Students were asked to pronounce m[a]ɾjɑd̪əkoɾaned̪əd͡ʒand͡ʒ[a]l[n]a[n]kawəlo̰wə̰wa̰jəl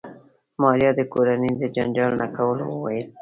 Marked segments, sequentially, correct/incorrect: incorrect: ɑ, incorrect: ɑ, correct, incorrect: none

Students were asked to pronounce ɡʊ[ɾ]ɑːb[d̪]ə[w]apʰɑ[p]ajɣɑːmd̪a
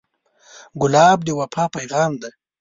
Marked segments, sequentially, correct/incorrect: incorrect: l, correct, correct, correct

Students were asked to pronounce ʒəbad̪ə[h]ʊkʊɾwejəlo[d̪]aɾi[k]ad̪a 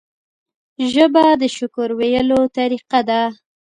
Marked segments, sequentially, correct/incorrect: incorrect: ʃ, incorrect: t̪, incorrect: q

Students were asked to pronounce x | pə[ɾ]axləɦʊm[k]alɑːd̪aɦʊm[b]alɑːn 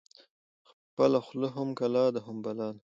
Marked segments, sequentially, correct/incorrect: incorrect: l, correct, correct

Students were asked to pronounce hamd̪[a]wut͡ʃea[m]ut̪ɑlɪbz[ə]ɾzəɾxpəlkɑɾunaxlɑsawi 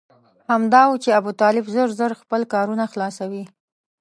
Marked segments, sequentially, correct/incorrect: incorrect: ɑ, incorrect: b, correct

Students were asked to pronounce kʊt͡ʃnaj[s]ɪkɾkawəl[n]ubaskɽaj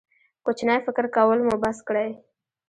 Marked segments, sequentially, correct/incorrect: incorrect: f, incorrect: m

